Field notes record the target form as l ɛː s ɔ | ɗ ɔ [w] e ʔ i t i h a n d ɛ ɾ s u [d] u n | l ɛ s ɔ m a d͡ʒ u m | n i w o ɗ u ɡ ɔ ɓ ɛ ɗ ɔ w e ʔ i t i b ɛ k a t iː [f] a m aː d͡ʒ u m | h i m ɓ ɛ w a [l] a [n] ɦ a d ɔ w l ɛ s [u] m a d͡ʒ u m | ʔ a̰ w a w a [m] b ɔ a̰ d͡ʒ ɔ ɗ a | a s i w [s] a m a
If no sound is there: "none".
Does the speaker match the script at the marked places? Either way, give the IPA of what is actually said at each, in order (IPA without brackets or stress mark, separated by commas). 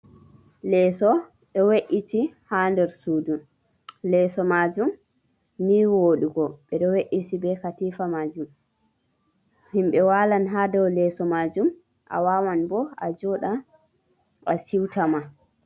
w, d, f, l, n, ɔ, n, t